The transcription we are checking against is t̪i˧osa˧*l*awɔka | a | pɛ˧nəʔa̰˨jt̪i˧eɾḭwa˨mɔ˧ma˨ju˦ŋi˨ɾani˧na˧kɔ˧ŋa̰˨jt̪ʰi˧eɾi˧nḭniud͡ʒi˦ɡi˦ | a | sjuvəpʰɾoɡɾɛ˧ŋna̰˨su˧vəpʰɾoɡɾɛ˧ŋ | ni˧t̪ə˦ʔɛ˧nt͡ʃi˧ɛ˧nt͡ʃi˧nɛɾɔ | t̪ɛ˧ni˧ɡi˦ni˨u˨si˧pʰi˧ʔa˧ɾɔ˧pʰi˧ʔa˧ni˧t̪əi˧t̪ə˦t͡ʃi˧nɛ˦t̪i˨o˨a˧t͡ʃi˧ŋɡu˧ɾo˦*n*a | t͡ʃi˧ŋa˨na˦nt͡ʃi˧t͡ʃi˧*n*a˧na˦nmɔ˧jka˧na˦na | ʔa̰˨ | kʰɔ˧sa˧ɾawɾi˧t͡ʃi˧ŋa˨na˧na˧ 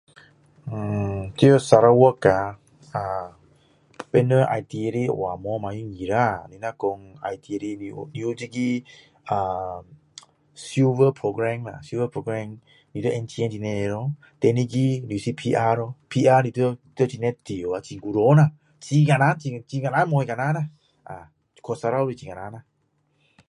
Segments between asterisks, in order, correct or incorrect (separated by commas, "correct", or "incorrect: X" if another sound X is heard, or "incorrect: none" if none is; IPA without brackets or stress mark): incorrect: ɾ, correct, incorrect: ŋ